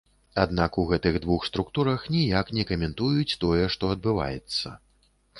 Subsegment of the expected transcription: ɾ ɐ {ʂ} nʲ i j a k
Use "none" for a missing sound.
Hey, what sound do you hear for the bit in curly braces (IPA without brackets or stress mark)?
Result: x